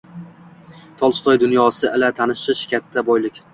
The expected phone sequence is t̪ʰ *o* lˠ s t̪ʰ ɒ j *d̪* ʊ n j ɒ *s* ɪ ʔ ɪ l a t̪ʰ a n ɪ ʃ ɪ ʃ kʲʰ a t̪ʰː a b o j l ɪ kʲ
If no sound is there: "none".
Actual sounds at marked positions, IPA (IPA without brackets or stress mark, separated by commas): ɒ, d̪, s